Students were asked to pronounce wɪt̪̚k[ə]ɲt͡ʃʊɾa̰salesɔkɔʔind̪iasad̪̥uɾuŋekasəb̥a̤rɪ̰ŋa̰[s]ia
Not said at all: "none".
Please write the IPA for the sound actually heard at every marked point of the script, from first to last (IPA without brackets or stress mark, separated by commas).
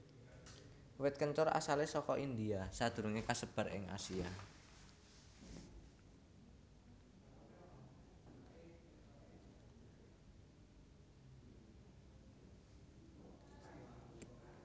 ə, s